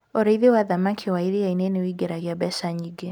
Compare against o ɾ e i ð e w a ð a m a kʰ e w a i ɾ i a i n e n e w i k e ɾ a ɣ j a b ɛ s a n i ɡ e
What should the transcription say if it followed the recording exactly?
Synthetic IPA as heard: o ɾ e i ð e w a ð a m a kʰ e w a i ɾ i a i n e n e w i ɡ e ɾ a ɣ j a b ɛ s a ɲ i ɡ e